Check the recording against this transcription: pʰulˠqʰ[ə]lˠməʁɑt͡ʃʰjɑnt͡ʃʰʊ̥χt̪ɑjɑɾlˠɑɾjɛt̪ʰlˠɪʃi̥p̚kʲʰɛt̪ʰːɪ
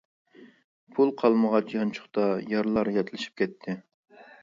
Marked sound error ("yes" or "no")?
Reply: yes